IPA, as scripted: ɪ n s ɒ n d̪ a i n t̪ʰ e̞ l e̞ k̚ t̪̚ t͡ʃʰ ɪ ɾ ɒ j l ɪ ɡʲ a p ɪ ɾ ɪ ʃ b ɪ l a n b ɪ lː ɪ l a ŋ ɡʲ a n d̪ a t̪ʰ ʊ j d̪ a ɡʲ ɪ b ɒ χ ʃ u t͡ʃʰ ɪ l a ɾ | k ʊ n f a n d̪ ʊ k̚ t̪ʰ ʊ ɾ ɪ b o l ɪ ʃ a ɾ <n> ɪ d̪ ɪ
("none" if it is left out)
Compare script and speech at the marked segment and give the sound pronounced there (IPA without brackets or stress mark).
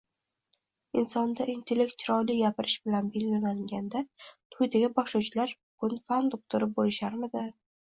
m